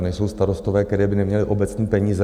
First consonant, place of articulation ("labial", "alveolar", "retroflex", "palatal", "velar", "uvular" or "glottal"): alveolar